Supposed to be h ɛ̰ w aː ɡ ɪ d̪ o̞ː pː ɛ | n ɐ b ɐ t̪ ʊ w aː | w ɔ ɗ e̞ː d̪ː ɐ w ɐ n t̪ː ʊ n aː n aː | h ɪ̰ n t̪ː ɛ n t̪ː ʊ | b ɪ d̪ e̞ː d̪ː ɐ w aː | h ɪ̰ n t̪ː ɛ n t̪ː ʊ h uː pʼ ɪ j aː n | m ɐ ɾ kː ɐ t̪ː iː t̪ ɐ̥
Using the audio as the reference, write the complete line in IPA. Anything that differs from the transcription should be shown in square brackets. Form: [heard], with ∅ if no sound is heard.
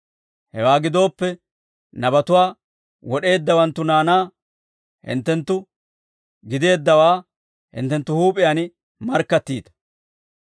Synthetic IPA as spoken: h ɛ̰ w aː ɡ ɪ d̪ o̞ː pː ɛ | n ɐ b ɐ t̪ ʊ w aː | w ɔ ɗ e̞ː d̪ː ɐ w ɐ n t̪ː ʊ n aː n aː | h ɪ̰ n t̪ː ɛ n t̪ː ʊ | [ɡ] ɪ d̪ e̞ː d̪ː ɐ w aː | h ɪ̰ n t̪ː ɛ n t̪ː ʊ h uː pʼ ɪ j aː n | m ɐ ɾ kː ɐ t̪ː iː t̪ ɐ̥